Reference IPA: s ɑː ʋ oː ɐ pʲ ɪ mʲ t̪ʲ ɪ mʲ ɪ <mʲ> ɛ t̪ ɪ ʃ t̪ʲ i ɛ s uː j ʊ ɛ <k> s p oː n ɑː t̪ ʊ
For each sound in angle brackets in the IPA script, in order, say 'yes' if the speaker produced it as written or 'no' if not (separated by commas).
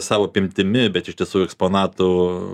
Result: no, yes